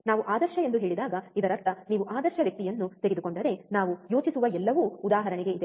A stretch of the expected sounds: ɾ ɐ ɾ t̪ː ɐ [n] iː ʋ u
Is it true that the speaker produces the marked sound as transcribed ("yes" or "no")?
yes